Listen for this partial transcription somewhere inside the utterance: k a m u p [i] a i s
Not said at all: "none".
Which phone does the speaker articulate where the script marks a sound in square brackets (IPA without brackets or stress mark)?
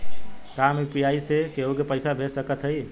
j